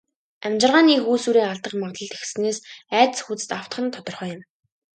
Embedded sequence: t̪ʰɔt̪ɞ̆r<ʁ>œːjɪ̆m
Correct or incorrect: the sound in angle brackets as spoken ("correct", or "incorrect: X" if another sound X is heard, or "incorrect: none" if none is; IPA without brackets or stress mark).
incorrect: χ